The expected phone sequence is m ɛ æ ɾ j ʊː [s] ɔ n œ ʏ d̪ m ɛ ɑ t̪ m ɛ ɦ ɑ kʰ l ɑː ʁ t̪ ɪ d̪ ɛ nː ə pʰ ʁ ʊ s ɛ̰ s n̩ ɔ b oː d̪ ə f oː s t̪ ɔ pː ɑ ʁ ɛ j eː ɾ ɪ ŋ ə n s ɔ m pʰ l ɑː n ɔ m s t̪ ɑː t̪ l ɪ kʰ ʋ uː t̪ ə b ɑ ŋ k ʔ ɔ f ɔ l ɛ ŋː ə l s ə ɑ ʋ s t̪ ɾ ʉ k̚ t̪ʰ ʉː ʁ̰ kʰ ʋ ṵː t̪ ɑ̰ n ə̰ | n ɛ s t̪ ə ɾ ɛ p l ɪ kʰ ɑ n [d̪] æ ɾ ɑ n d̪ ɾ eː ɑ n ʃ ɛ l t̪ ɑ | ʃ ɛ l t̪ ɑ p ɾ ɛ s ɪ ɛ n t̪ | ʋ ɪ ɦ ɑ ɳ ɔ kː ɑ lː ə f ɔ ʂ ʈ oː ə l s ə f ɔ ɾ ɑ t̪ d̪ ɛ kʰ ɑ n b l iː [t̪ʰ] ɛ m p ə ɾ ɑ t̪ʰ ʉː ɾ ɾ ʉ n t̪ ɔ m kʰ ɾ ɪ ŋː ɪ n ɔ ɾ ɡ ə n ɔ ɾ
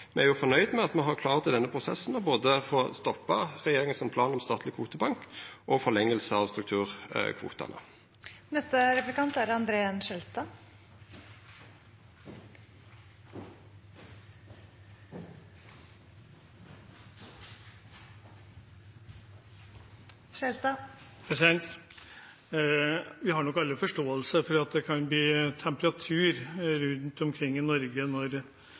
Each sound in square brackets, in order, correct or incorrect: incorrect, incorrect, correct

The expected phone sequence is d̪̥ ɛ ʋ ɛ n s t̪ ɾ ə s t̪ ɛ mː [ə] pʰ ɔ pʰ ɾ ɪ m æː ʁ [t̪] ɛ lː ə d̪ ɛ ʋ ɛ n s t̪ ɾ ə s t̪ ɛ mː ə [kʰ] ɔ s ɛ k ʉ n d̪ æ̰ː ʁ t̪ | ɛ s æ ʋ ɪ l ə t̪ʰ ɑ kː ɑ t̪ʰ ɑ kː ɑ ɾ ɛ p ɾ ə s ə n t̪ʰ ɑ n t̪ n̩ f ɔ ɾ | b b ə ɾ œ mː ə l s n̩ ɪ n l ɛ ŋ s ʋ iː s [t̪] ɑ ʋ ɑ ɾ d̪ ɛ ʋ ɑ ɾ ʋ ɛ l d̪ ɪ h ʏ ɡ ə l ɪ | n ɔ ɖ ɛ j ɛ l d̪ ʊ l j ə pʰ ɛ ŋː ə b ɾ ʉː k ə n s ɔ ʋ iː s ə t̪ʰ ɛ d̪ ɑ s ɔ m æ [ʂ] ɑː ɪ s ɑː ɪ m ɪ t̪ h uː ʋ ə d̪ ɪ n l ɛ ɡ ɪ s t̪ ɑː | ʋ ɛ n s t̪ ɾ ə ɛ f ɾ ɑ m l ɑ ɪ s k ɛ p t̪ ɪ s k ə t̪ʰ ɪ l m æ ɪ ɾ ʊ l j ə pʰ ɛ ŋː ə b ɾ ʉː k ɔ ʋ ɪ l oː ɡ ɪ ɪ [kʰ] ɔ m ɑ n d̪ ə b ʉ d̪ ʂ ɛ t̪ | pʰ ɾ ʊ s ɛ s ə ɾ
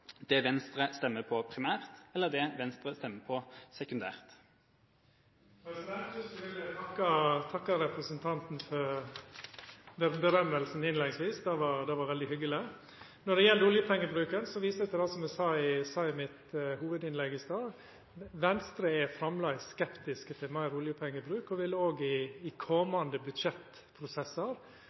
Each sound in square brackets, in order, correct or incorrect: correct, correct, incorrect, incorrect, incorrect, correct

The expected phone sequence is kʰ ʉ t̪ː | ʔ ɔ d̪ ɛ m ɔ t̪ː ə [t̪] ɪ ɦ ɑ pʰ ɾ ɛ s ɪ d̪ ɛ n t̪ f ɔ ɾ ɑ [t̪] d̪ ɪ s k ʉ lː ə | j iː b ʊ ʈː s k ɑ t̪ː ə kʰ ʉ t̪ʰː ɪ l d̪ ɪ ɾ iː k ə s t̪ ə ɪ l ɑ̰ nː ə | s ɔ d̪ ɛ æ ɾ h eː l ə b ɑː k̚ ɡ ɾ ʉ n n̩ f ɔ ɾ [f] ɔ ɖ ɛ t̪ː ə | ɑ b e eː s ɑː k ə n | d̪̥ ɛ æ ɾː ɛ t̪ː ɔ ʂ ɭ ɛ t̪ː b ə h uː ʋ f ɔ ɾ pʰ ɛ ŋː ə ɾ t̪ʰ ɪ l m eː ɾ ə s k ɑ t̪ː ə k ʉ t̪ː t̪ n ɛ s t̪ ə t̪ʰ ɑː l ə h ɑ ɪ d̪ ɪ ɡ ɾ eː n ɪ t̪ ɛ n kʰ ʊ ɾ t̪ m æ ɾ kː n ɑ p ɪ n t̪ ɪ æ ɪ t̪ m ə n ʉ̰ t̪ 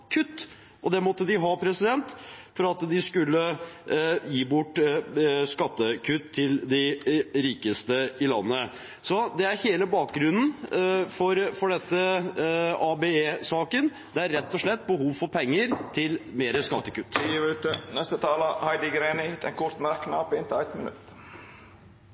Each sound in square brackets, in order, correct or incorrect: incorrect, correct, correct

